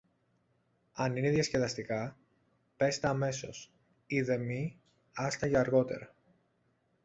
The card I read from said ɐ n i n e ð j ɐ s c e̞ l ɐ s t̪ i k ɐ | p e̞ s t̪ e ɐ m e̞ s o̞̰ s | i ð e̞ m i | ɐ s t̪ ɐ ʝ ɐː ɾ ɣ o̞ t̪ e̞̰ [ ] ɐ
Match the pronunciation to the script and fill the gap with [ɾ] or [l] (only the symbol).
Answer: ɾ